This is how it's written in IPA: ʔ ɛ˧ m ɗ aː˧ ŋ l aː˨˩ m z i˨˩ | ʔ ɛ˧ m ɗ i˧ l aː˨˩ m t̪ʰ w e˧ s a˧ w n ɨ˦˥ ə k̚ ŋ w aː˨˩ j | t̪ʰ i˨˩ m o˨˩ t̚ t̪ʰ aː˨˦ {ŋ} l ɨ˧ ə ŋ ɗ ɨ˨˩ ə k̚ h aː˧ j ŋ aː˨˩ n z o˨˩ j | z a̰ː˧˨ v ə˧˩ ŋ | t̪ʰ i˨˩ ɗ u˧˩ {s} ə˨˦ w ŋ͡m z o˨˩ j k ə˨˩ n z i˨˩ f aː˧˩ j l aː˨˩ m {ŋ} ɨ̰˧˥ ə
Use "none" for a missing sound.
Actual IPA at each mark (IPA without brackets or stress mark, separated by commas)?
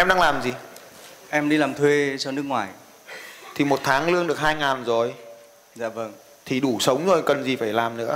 ŋ, s, n